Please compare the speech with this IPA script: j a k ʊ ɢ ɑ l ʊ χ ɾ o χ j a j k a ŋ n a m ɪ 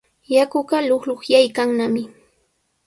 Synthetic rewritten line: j a k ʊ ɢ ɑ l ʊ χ l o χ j a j k a ŋ n a m ɪ